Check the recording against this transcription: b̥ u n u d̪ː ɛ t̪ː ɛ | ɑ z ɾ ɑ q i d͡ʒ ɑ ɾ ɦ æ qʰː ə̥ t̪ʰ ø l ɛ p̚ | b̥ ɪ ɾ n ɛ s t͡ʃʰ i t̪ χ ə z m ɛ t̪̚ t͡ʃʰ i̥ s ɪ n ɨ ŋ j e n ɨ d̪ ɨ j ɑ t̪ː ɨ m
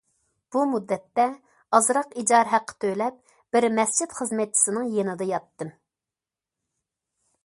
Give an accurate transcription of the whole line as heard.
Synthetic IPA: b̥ u m u d̪ː ɛ t̪ː ɛ | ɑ z ɾ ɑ q i d͡ʒ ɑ ɾ ɦ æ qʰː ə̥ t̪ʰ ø l ɛ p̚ | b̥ ɪ ɾ m ɛ s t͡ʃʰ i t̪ χ ə z m ɛ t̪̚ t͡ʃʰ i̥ s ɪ n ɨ ŋ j e n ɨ d̪ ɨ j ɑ t̪ː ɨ m